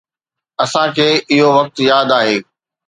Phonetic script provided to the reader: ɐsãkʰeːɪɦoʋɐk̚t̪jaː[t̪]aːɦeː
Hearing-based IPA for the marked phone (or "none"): d̪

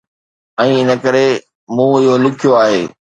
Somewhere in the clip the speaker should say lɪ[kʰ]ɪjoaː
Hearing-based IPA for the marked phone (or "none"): kʰ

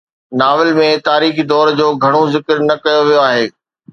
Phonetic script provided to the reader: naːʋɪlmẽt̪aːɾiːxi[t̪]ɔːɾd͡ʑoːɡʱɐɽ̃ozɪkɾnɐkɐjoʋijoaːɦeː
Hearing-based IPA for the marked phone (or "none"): d̪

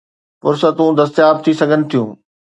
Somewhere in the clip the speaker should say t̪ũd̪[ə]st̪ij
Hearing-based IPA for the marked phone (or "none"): ɐ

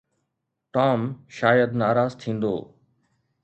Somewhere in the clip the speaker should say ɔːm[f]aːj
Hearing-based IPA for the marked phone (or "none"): ʃ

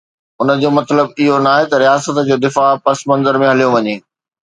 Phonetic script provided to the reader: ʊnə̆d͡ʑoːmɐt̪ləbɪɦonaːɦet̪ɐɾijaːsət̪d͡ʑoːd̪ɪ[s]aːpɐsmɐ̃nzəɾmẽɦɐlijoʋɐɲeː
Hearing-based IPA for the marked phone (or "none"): f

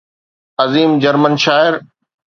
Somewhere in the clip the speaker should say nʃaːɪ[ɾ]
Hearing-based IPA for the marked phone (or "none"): ɾ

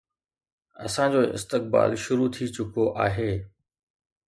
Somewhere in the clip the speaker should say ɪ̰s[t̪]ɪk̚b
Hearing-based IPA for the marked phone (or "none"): t̪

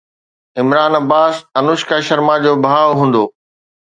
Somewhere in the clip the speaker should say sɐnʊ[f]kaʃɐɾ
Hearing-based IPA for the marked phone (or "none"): ʃ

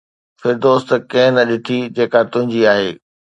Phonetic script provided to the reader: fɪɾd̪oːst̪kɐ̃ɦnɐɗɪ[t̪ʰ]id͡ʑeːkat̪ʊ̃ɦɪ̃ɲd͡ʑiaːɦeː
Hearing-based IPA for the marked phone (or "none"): t̪ʰ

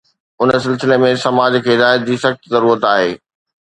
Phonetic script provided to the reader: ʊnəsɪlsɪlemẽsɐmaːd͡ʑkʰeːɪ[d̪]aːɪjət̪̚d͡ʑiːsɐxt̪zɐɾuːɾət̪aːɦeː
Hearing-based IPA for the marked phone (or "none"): d̪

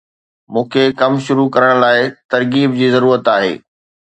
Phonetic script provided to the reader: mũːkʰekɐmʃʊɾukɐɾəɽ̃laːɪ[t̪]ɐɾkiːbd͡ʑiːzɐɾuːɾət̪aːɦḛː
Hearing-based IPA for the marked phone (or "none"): t̪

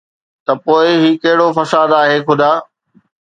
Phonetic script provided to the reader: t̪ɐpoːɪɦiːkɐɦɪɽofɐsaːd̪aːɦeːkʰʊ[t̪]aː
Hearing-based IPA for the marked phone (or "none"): d̪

